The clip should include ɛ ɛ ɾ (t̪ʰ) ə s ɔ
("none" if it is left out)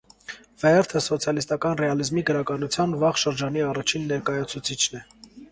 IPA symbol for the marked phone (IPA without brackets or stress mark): t̪ʰ